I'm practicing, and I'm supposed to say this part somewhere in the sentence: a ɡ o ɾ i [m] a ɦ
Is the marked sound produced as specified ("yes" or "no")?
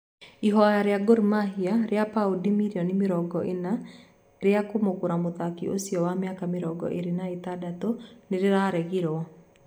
yes